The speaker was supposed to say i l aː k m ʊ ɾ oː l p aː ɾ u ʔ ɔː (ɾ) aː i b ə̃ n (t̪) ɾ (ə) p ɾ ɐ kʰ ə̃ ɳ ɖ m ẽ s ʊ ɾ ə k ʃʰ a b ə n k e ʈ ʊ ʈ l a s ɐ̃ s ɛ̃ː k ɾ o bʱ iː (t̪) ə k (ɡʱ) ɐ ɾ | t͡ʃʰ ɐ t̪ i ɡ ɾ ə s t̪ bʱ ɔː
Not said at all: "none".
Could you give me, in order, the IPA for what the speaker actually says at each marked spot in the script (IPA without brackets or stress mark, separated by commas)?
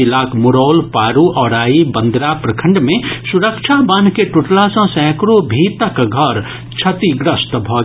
ɾ, d̪, a, t̪, ɡʱ